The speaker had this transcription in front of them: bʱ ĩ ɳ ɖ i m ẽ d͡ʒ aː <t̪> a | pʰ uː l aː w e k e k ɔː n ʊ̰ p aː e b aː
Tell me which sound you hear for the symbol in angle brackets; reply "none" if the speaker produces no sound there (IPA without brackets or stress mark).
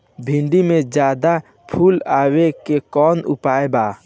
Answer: d̪